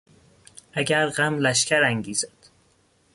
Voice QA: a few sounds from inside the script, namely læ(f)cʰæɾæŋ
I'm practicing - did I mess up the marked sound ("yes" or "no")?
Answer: yes